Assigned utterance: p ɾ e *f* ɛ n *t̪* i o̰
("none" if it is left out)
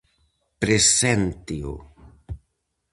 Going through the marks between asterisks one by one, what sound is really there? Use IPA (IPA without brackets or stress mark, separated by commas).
s, t̪